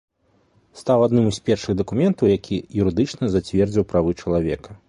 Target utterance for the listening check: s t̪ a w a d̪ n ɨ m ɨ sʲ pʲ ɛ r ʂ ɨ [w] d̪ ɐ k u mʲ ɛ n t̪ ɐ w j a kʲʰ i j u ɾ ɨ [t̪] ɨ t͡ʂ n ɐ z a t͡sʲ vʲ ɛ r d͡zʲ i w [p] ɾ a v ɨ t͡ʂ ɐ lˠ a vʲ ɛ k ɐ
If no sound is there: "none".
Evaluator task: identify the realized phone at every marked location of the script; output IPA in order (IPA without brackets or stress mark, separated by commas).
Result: ɣ, d̪, p